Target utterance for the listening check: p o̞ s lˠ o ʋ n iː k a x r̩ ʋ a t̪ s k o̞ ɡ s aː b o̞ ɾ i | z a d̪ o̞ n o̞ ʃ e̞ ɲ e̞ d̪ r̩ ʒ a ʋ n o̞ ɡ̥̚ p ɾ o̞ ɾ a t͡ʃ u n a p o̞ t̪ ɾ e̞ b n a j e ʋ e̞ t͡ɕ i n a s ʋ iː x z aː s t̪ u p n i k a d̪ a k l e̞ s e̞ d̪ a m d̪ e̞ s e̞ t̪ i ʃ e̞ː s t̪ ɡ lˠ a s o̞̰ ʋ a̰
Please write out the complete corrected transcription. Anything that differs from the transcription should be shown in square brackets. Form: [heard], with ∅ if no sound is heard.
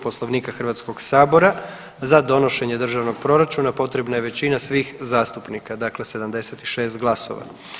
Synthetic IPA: p o̞ s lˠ o ʋ n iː k a x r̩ ʋ a t̪ s k o̞ ɡ s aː b o̞ ɾ [a] | z a d̪ o̞ n o̞ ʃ e̞ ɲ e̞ d̪ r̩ ʒ a ʋ n o̞ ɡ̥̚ p ɾ o̞ ɾ a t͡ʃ u n a p o̞ t̪ ɾ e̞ b n a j e ʋ e̞ t͡ɕ i n a s ʋ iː x z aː s t̪ u p n i k a d̪ a k l e̞ s e̞ d̪ a m d̪ e̞ s e̞ t̪ i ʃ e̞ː s t̪ ɡ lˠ a s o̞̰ ʋ a̰